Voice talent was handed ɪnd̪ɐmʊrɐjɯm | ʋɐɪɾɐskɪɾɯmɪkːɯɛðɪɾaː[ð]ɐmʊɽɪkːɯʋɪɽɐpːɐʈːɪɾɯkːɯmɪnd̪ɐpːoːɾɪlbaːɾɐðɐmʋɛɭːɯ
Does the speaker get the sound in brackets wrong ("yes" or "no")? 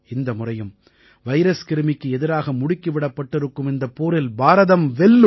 yes